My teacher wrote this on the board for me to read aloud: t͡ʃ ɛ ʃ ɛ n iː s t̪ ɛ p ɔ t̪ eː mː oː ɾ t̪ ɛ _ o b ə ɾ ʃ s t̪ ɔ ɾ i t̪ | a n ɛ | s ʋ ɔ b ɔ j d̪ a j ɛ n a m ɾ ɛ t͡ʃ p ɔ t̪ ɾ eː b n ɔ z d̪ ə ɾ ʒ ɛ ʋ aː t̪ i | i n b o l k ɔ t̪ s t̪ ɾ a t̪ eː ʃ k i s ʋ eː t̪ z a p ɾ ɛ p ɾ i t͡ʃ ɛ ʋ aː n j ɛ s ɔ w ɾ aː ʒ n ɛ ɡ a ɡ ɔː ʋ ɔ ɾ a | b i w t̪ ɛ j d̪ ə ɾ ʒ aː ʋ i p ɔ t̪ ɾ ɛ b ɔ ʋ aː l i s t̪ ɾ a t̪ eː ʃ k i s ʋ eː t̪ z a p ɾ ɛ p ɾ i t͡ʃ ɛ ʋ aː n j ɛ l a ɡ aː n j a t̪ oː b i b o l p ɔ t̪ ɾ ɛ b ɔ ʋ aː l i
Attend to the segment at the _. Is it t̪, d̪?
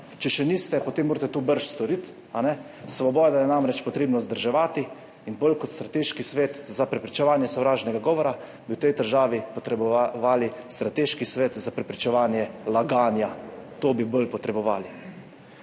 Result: t̪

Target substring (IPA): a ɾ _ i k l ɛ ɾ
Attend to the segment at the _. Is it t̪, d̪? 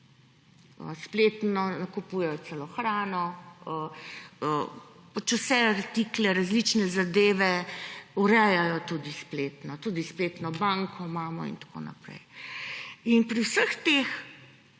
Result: t̪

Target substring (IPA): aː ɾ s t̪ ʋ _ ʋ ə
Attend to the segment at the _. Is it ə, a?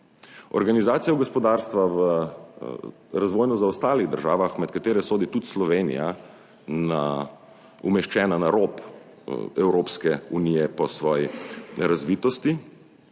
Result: a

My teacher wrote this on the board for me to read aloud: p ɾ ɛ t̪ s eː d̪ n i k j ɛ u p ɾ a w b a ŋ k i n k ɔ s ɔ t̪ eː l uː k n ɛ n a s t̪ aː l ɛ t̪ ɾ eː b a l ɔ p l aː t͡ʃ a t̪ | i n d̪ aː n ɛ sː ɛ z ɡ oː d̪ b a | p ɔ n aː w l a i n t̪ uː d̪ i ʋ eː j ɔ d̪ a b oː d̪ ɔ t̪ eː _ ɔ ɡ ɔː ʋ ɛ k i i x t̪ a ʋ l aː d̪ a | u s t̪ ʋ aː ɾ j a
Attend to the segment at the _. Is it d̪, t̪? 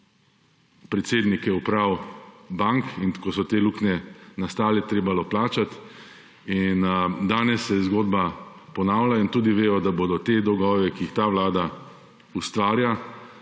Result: d̪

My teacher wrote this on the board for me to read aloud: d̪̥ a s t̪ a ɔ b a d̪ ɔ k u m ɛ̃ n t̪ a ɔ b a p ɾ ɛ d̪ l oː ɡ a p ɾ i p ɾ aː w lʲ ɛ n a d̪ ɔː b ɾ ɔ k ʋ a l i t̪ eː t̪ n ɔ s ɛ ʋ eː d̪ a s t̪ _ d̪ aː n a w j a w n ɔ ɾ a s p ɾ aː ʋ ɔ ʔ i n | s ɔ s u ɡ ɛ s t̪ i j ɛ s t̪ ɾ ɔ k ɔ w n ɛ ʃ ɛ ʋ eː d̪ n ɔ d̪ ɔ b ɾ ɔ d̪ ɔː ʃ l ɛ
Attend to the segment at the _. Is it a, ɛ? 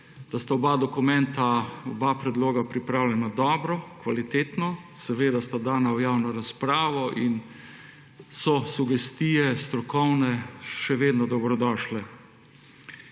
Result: a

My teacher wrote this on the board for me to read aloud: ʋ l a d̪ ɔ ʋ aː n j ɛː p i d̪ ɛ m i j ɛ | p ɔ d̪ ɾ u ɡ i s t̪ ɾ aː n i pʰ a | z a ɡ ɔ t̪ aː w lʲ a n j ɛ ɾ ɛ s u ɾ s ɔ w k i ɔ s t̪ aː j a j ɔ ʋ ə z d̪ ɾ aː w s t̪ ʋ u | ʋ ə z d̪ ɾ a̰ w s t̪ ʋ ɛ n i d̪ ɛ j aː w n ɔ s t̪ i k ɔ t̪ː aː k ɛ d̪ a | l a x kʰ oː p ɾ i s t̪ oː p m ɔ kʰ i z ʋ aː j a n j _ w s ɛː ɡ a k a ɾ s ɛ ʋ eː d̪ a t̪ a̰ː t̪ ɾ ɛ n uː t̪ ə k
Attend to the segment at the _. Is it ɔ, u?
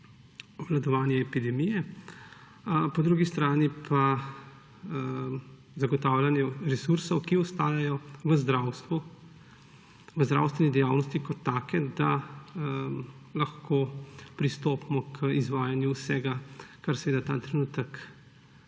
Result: u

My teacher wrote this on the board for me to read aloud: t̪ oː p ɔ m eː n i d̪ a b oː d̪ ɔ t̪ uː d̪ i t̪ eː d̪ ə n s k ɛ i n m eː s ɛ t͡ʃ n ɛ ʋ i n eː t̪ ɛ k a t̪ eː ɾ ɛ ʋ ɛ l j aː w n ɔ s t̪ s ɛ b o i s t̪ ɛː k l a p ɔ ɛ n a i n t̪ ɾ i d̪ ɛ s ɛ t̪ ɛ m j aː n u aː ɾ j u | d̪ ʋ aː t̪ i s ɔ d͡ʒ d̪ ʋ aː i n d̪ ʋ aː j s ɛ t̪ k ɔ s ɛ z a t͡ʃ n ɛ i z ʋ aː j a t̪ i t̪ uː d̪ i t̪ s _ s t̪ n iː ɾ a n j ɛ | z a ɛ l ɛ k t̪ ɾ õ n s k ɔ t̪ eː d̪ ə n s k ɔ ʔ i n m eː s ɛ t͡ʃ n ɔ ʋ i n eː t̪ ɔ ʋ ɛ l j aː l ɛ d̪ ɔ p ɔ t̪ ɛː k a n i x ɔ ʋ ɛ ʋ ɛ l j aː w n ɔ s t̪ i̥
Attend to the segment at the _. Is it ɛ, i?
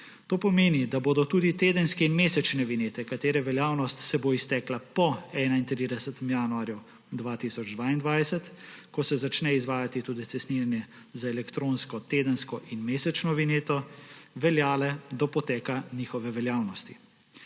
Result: ɛ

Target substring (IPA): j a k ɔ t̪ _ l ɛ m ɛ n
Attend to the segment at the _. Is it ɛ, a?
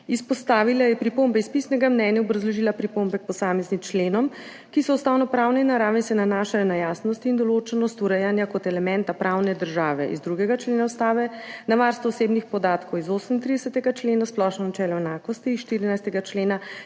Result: ɛ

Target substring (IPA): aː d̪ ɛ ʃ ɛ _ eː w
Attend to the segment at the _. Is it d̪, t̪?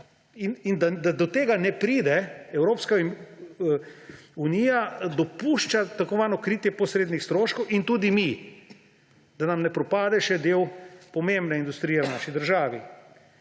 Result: d̪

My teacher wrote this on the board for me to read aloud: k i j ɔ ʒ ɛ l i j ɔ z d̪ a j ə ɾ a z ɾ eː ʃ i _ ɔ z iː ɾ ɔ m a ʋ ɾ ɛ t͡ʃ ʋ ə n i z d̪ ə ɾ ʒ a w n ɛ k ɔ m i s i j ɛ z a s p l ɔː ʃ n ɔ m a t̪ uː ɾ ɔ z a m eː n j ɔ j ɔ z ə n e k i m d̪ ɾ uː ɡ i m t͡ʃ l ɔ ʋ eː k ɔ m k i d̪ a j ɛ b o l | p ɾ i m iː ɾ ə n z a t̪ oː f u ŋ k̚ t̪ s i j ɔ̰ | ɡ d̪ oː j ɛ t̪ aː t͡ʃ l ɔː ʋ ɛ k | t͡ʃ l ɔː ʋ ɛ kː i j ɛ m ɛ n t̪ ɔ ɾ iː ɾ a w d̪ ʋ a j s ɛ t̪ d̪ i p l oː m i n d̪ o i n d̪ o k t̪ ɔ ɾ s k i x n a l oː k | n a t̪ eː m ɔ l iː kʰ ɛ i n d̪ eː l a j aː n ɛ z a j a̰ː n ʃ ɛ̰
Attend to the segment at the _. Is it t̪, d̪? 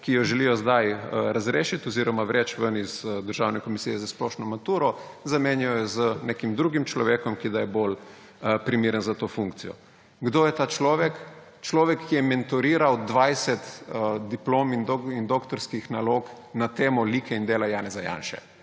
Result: t̪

